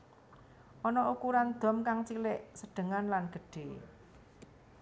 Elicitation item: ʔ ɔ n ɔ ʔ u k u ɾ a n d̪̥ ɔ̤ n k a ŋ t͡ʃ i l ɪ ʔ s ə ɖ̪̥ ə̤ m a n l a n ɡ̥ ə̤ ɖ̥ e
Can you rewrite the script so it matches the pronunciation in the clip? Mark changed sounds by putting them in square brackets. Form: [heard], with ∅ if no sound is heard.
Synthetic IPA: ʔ ɔ n ɔ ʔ u k u ɾ a n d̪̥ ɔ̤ [m] k a ŋ t͡ʃ i l ɪ ʔ s ə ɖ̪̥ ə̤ [ŋ] a n l a n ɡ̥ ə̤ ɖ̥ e

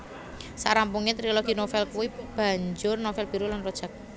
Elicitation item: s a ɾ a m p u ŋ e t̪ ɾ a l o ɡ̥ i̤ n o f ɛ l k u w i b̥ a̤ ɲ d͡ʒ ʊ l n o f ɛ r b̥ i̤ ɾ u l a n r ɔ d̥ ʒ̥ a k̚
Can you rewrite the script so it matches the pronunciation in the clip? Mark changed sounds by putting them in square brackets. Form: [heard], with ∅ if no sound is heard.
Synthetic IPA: s a ɾ a m p u ŋ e t̪ ɾ [i] l o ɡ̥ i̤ n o f ɛ l k u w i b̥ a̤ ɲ d͡ʒ ʊ [r] n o f ɛ [l] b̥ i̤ ɾ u l a n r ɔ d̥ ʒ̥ a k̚

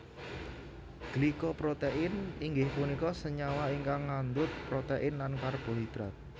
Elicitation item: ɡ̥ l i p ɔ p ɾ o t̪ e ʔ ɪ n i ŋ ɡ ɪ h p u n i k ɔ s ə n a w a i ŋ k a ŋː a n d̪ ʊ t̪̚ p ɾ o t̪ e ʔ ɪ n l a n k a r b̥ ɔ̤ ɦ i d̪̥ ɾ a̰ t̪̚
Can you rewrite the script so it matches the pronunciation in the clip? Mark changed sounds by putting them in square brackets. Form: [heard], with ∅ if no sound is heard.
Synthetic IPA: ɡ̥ l i [k] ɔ p ɾ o t̪ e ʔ ɪ n i ŋ ɡ ɪ h p u n i k ɔ s ə [ɲ] a w a i ŋ k a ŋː a n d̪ ʊ t̪̚ p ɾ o t̪ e ʔ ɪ n l a n k a r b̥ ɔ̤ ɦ i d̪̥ ɾ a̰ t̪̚

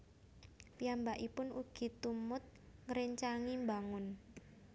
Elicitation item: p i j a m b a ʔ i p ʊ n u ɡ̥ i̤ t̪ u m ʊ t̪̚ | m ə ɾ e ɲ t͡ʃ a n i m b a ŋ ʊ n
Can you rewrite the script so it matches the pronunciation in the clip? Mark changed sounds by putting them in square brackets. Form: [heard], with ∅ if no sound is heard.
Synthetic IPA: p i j a m b a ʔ i p ʊ n u ɡ̥ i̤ t̪ u m ʊ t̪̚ | [ŋ] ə ɾ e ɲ t͡ʃ a [ŋ] i m b a ŋ ʊ n

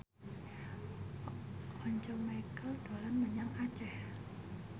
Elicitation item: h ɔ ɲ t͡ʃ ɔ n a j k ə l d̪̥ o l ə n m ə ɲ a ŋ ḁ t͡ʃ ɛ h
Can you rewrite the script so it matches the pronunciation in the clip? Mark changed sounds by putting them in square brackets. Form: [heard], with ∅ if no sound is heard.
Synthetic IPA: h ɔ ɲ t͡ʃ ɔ [m] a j k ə l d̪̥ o l [a] n m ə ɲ a ŋ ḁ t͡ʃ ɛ h

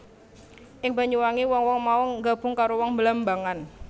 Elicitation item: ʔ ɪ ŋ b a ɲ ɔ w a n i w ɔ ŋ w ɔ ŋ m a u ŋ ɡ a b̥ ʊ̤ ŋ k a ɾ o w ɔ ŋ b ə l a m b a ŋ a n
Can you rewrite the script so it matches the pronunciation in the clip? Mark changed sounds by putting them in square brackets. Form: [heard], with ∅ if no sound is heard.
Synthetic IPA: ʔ ɪ ŋ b a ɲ [u] w a [ŋ] i w ɔ ŋ w ɔ ŋ m a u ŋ ɡ a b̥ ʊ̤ ŋ k a ɾ o w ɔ ŋ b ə l a m b a ŋ a n

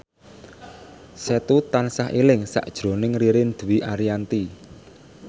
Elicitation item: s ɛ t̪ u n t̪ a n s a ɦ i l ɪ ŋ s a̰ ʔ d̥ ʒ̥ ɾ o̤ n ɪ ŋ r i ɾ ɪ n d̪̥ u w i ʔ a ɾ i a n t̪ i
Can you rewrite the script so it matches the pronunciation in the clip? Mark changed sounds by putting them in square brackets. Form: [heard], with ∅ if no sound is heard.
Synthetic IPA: s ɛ t̪ u [∅] t̪ a n s a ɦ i l ɪ ŋ s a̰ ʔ d̥ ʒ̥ ɾ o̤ n ɪ ŋ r i ɾ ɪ n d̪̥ u w i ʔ a ɾ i a n t̪ i

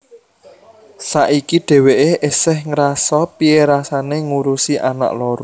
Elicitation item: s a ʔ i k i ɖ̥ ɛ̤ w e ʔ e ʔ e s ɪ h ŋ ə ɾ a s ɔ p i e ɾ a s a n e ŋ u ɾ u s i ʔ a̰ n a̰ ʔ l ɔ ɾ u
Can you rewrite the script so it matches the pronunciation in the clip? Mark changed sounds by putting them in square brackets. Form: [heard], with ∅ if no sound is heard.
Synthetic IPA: s a ʔ i k i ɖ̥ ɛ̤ w e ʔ e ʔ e s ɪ h ŋ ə ɾ a s ɔ p i e ɾ a s a n e ŋ u ɾ u s i ʔ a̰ n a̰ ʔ l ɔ ɾ u

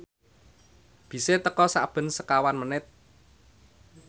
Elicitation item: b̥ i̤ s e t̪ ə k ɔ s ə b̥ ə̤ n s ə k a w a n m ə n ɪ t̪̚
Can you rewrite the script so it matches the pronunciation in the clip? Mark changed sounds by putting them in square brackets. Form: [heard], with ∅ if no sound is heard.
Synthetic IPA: b̥ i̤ s e t̪ ə k ɔ s [a] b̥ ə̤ n s ə k a w a n m ə n ɪ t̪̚

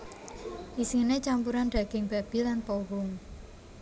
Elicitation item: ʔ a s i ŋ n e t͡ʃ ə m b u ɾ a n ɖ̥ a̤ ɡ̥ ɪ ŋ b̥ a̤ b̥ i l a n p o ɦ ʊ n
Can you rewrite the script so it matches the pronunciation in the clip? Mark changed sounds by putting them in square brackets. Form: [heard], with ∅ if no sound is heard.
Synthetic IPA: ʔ [i] s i ŋ n e t͡ʃ [a] m [p] u ɾ a n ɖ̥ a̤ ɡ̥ ɪ ŋ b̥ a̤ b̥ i l a n p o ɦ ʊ [ŋ]

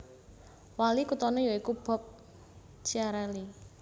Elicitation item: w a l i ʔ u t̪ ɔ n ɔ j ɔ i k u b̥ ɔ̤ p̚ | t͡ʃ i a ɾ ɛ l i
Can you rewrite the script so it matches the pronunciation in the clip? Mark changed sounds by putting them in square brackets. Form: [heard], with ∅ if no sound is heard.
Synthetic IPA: w a l i [k] u t̪ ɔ n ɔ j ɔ i k u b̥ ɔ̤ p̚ | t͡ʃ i a ɾ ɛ l i

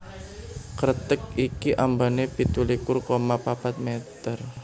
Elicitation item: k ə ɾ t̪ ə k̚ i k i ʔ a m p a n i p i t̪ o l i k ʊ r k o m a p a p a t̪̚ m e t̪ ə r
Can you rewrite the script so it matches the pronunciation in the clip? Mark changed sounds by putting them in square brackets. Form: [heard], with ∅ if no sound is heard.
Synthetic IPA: k ə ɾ t̪ ə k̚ i k i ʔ a m [b] a n [e] p i t̪ [u] l i k ʊ r k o m a p a p a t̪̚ m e t̪ ə r

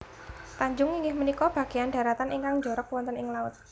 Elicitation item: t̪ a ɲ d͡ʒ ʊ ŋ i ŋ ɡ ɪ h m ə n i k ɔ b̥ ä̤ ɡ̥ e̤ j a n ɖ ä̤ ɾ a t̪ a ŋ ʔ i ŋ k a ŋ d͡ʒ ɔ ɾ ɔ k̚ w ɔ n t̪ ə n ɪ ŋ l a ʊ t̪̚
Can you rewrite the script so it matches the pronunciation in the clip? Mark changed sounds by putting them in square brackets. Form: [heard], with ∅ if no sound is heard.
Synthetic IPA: t̪ a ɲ d͡ʒ ʊ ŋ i ŋ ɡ ɪ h m ə n i k ɔ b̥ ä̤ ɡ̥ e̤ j a n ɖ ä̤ ɾ a t̪ a [n] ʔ i ŋ k a ŋ d͡ʒ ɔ ɾ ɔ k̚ w ɔ n t̪ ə n ɪ ŋ l a ʊ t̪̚

